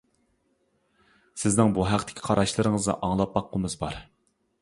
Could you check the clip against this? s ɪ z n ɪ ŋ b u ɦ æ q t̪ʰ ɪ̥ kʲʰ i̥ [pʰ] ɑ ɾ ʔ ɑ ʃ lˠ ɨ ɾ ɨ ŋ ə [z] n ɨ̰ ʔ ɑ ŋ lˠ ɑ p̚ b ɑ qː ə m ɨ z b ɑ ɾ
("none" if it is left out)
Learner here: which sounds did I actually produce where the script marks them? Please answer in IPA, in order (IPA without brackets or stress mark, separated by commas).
qʰ, z